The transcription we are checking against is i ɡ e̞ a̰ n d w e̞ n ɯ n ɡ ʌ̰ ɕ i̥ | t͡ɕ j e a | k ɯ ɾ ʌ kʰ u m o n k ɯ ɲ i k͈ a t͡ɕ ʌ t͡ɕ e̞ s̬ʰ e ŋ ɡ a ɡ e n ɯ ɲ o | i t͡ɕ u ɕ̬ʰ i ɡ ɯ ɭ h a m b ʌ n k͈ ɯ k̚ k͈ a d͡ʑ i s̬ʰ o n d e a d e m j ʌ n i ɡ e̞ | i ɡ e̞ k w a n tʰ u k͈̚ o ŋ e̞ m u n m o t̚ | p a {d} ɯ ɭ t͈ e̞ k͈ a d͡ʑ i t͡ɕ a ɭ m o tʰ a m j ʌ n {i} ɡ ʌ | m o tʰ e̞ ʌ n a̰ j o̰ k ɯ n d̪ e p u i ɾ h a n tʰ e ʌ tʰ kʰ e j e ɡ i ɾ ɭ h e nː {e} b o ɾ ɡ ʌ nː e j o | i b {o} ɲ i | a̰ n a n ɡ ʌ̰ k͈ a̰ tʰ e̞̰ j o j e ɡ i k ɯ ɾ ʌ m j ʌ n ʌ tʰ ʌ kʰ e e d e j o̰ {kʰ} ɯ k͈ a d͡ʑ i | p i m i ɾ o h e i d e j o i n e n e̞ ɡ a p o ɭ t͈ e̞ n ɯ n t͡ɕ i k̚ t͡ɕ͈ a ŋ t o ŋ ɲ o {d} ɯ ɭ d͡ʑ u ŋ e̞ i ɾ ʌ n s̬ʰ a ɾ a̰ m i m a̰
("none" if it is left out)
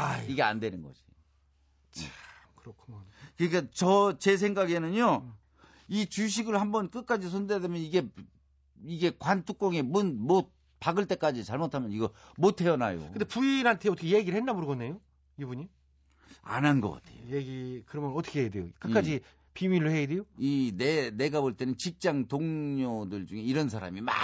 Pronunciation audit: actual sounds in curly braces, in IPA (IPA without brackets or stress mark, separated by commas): ɡ, i, a, u, k, d